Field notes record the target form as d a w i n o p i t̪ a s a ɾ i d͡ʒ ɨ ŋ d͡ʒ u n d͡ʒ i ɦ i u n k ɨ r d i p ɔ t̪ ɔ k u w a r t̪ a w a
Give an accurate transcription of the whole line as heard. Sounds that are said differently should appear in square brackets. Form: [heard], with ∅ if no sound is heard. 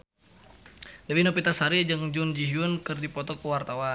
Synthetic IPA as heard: d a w i n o p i t̪ a s a ɾ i d͡ʒ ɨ ŋ d͡ʒ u n d͡ʒ i ɦ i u n k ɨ r d i p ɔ t̪ ɔ k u w a r t̪ a w a